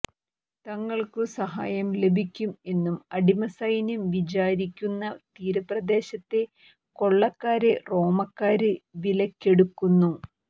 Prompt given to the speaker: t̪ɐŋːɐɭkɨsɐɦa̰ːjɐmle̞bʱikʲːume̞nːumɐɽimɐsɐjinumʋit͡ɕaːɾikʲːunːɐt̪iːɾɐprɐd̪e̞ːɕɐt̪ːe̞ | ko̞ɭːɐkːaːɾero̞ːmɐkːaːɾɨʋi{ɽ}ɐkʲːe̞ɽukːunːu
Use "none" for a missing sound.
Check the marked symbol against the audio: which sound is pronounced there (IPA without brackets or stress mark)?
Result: l